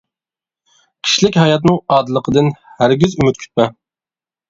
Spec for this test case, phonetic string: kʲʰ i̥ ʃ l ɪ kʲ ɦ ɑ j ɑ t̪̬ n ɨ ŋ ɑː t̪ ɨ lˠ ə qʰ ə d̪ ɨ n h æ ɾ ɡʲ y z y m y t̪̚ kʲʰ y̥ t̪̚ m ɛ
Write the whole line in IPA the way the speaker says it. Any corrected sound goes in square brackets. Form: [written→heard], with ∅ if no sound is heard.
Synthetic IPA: kʲʰ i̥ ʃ l ɪ kʲ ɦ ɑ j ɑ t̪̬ n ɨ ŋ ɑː [t̪→d̪] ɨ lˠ ə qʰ ə d̪ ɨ n h æ ɾ ɡʲ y z y m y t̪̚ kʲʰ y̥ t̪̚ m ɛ